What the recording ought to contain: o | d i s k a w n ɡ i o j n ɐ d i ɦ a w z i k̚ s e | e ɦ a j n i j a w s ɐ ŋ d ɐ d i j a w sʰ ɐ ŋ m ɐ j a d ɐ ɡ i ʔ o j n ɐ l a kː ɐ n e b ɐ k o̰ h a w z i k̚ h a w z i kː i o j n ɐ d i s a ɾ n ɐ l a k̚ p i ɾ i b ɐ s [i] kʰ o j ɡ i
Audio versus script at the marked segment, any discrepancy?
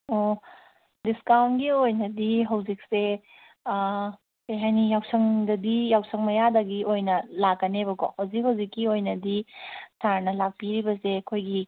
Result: yes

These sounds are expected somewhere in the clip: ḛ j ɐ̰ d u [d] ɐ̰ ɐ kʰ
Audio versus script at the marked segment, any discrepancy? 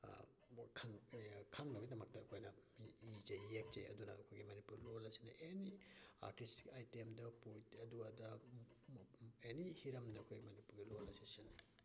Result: yes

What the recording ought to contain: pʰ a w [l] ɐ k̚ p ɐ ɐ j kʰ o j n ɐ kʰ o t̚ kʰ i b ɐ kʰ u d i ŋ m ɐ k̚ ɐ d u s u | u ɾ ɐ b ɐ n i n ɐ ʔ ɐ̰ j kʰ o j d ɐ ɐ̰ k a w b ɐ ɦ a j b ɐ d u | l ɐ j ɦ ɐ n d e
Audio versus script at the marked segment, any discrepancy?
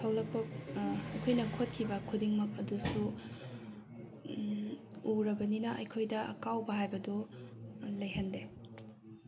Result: no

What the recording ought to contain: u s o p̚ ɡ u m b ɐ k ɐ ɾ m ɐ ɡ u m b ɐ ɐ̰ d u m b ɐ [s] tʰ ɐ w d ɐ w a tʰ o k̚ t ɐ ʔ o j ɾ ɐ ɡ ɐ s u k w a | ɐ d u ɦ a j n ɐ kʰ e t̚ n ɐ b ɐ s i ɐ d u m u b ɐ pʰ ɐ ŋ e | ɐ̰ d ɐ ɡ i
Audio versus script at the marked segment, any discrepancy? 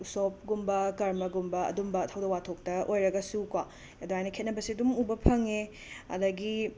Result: yes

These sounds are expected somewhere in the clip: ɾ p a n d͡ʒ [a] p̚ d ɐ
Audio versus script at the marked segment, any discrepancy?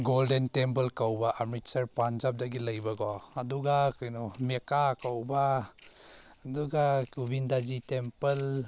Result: no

